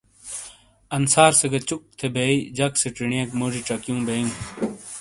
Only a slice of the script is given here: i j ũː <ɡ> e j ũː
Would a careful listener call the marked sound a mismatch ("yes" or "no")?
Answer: yes